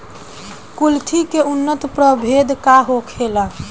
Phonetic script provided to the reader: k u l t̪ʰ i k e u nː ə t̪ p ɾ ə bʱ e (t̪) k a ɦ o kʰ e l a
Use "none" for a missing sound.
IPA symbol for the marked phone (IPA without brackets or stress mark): d̪